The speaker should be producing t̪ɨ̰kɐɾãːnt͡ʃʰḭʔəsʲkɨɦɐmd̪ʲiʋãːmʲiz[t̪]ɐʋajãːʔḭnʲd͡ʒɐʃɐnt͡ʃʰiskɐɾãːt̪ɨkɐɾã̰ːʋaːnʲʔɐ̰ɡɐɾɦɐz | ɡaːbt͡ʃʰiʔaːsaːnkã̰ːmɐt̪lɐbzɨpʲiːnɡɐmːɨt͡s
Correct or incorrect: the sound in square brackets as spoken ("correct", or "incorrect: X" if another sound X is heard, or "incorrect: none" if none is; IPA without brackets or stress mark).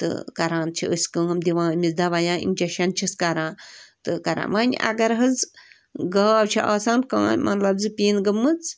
incorrect: d̪